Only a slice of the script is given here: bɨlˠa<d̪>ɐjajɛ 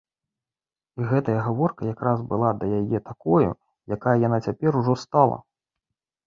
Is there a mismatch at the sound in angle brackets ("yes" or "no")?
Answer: no